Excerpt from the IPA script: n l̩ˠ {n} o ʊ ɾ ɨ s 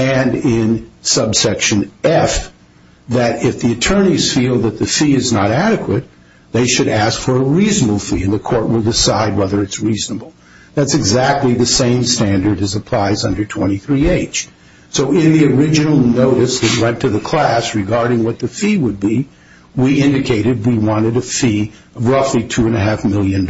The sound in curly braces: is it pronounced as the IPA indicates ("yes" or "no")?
yes